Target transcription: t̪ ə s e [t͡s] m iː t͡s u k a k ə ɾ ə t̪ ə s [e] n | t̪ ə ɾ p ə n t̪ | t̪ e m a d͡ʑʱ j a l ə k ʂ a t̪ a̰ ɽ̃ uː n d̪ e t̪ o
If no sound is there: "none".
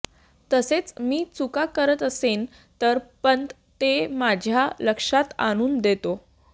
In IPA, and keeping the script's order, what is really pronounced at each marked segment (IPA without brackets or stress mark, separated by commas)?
t͡s, e